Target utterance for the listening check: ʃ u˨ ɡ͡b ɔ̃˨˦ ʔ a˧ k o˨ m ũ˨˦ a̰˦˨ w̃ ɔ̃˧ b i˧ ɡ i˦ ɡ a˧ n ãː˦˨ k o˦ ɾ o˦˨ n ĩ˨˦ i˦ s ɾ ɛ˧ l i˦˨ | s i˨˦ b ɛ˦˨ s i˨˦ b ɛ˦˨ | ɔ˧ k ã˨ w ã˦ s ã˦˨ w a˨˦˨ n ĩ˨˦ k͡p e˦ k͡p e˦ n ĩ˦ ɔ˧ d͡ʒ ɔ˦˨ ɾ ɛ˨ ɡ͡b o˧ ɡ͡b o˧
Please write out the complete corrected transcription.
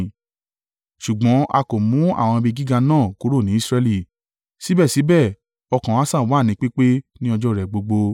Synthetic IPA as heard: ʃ u˨ ɡ͡b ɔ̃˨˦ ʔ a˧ k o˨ m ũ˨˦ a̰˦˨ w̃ ɔ̃˧ b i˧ ɡ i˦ ɡ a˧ n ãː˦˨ k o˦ ɾ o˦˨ n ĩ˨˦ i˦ s ɾ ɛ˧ l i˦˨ | s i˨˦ b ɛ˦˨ s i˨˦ b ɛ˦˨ | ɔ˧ k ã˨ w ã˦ s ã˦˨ w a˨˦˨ n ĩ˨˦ k͡p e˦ k͡p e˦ n ĩ˦ ɔ˧ d͡ʒ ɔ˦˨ ɾ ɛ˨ ɡ͡b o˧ ɡ͡b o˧